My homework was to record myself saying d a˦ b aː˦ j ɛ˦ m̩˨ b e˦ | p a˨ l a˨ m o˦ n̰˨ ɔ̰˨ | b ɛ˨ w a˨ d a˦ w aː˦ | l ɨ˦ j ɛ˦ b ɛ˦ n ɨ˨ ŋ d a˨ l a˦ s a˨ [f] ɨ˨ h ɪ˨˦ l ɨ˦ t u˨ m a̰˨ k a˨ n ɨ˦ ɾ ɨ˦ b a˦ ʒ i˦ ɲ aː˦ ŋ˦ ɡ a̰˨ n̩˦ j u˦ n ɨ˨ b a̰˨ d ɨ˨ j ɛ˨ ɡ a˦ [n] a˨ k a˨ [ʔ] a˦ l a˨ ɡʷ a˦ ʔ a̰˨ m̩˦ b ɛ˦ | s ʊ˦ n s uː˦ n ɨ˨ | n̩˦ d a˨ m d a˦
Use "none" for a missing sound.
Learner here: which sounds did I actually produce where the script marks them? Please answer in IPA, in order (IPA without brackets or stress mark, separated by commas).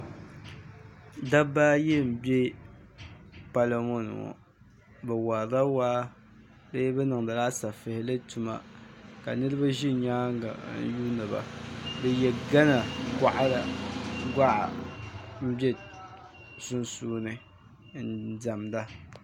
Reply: f, n, ʔ